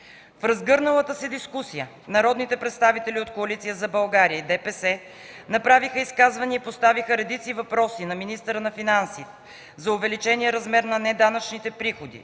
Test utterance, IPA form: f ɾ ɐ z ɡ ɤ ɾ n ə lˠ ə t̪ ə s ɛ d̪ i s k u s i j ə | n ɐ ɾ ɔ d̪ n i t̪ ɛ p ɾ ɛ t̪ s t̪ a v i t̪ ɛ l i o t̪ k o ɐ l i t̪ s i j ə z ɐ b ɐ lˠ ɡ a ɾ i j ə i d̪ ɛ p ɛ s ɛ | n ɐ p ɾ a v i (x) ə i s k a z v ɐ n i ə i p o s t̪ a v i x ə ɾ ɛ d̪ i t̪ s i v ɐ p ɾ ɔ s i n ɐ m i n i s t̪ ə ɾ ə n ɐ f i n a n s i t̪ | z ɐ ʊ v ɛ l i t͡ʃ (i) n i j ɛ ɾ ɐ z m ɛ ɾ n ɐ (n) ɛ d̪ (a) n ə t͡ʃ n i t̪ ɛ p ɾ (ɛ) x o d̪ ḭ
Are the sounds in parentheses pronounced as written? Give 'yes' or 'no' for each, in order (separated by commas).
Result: yes, no, yes, yes, no